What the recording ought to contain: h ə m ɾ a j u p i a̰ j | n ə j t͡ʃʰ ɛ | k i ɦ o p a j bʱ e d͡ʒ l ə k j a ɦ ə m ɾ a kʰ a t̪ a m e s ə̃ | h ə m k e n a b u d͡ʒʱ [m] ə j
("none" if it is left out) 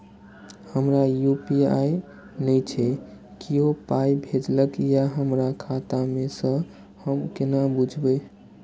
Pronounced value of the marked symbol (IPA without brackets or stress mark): b